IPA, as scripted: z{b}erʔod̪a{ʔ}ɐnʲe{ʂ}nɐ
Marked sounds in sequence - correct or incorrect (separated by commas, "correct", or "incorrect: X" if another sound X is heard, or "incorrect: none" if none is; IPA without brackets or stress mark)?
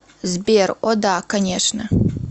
correct, incorrect: k, correct